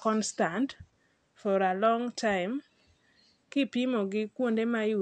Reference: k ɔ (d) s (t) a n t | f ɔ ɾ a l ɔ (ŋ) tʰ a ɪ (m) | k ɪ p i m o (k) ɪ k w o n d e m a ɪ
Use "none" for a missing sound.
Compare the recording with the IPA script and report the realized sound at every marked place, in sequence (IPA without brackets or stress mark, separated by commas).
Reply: n, t, ŋ, m, ɡ